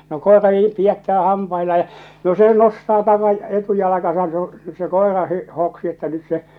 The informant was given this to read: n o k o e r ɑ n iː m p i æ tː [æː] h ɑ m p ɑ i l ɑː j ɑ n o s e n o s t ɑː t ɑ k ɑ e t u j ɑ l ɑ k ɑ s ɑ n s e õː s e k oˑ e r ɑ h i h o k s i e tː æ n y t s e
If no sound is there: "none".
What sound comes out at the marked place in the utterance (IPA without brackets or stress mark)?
æː